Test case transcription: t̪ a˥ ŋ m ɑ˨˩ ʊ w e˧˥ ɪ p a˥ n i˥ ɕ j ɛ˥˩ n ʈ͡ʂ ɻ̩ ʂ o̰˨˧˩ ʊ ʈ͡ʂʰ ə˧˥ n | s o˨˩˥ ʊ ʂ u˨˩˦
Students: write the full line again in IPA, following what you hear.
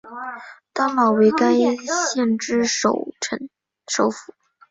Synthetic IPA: t̪ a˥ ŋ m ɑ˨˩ ʊ w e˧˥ ɪ k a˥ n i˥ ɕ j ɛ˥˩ n ʈ͡ʂ ɻ̩ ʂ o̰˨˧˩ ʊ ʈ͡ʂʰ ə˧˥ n | ʂ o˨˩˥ ʊ f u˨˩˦